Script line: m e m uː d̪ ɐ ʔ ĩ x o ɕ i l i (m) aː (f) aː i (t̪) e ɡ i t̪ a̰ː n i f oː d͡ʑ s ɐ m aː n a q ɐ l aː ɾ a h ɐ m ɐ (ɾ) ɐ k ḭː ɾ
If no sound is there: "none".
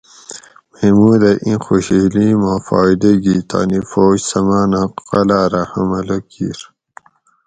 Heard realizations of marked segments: m, f, d̪, l

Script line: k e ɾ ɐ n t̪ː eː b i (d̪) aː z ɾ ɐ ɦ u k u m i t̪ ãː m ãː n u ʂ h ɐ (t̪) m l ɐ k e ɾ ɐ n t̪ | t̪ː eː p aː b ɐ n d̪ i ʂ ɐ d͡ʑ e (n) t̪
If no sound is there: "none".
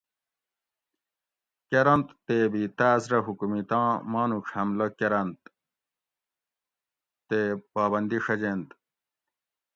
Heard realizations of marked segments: t̪, none, n

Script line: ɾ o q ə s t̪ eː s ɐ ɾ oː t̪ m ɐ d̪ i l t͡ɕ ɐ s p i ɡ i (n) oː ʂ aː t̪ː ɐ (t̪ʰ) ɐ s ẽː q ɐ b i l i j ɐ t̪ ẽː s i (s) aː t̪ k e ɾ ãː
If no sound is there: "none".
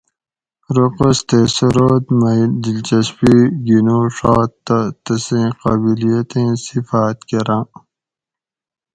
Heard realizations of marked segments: n, t̪, f

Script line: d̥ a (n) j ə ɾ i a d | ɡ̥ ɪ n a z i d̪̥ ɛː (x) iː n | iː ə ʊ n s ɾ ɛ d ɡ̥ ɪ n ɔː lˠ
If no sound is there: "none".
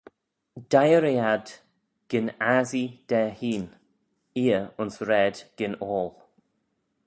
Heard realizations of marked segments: none, h

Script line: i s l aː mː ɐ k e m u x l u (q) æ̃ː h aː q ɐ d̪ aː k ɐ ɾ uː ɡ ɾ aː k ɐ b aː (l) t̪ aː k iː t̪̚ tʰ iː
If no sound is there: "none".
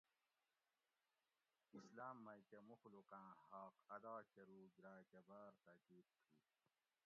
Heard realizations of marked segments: q, ɾ

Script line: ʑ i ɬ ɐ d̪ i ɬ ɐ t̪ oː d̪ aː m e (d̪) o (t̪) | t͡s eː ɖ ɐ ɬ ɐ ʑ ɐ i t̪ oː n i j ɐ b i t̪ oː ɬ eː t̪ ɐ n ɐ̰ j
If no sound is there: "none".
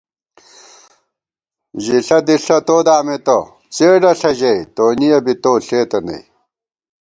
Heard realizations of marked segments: t̪, none

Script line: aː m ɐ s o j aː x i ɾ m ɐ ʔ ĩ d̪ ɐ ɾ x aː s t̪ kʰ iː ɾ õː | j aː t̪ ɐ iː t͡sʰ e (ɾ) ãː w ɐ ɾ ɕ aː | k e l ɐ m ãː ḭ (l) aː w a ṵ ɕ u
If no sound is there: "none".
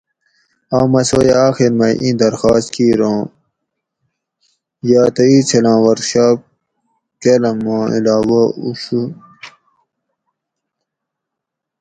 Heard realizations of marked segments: l, l

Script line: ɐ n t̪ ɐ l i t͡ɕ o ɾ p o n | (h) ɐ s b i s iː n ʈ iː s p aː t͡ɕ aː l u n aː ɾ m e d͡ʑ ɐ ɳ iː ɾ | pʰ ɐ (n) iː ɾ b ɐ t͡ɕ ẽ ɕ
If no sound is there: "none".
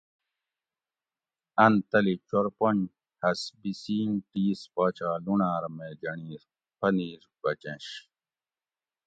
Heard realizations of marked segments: h, n

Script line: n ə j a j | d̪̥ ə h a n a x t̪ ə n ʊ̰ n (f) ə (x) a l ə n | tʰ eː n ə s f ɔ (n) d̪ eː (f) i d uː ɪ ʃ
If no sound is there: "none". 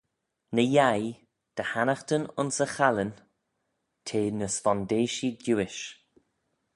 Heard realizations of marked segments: s, x, n, ʃ

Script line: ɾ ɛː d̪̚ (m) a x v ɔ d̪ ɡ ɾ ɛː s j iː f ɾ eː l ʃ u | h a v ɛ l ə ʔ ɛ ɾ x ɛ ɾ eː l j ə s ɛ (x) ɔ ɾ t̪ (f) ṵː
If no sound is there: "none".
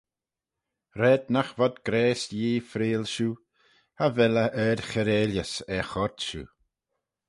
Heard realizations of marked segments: n, x, ʃ

